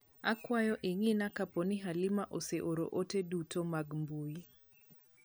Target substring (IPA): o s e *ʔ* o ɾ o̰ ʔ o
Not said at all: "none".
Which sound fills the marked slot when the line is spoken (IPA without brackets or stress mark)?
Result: ʔ